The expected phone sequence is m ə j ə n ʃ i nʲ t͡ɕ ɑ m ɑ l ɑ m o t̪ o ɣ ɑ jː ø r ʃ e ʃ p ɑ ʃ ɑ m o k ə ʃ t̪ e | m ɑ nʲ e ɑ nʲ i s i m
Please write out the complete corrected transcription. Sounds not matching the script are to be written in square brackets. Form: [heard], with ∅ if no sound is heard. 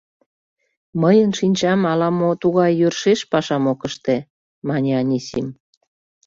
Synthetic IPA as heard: m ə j ə n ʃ i nʲ t͡ɕ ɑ m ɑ l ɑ m o t̪ [u] ɣ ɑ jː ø r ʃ e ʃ p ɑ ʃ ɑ m o k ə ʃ t̪ e | m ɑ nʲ e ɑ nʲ i s i m